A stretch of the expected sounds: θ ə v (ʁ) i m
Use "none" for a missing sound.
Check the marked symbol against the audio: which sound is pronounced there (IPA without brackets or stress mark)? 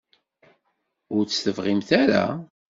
ʁ